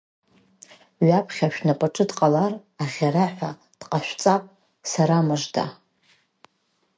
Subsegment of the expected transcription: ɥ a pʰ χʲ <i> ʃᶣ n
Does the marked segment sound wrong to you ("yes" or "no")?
yes